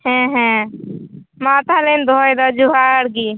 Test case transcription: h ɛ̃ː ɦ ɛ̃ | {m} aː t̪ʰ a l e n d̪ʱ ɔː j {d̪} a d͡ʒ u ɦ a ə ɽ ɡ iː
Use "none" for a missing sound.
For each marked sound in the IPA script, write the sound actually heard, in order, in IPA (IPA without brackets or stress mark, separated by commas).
m, d̪